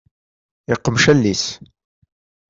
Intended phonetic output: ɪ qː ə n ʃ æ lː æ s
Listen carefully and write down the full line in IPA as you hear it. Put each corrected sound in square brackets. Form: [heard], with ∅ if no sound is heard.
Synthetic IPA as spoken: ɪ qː ə [m] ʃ æ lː [i] s